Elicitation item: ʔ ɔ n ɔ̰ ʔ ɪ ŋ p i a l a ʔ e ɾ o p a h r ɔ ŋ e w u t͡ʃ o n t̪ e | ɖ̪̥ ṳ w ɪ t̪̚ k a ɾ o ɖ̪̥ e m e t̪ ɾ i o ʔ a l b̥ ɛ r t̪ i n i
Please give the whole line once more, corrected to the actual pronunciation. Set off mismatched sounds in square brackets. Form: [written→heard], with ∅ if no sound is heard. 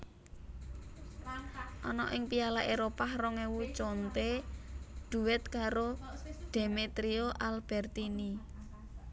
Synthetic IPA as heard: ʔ ɔ n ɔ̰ ʔ ɪ ŋ p i a l a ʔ e ɾ o p a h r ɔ ŋ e w u t͡ʃ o n t̪ e | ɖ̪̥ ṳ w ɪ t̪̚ k a ɾ o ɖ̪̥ e m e t̪ ɾ i o ʔ a l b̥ ɛ r t̪ i n i